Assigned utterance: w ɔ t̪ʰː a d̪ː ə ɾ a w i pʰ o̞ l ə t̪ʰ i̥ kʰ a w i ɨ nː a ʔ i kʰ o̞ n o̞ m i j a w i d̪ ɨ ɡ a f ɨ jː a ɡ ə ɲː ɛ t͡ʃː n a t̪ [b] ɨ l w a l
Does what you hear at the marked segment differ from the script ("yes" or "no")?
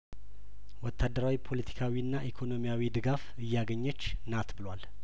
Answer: no